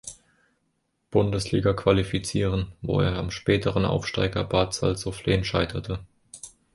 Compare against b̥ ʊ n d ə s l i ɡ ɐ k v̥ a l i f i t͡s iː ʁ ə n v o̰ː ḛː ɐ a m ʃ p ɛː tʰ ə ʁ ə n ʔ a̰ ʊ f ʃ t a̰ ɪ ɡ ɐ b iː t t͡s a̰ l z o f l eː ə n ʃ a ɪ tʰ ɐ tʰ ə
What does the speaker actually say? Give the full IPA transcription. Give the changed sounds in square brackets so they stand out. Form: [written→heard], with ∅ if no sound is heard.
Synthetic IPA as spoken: b̥ ʊ n d ə s l [i→iː] ɡ ɐ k v̥ a l i f i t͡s iː ʁ ə n v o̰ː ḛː ɐ a m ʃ p ɛː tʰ ə ʁ ə n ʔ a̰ ʊ f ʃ t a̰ ɪ ɡ ɐ b [iː→aː] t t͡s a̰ l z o f l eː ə n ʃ a ɪ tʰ ɐ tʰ ə